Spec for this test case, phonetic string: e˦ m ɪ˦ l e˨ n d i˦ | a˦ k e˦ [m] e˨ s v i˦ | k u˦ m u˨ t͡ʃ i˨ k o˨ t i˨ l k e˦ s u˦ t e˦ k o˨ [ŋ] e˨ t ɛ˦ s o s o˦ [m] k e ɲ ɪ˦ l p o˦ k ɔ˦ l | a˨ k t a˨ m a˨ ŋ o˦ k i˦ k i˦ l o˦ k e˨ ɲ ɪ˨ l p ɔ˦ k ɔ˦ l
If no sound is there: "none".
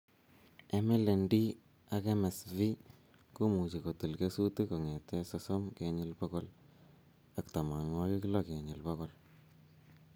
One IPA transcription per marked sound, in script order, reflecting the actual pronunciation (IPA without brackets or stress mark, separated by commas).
m, ŋ, m